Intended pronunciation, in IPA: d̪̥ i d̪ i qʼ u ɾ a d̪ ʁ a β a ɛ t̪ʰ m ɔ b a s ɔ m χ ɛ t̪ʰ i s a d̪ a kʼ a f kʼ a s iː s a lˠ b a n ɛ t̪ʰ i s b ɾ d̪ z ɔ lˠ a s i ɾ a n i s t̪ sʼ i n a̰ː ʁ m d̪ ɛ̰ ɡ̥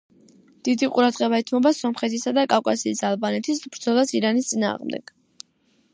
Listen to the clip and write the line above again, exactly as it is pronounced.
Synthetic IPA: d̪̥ i d̪ i qʼ u ɾ a d̪ ʁ ɛ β a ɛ t̪ʰ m ɔ b a s ɔ m χ ɛ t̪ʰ i s a d̪ a kʼ a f kʼ a s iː s a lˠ b a n ɛ t̪ʰ i s b ɾ d̪ z ɔ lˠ a s i ɾ a n i s t̪ sʼ i n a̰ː ʁ m d̪ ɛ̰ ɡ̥